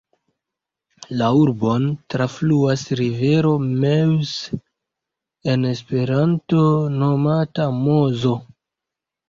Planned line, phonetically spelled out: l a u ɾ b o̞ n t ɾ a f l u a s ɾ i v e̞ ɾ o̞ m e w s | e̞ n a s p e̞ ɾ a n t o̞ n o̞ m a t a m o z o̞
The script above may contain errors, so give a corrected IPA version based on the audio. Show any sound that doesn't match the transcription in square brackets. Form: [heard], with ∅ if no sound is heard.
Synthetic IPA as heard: l a u ɾ b o̞ n t ɾ a f l u a s ɾ i v e̞ ɾ o̞ m e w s | e̞ n [e] s p e̞ ɾ a n t o̞ n o̞ m a t a m o z o̞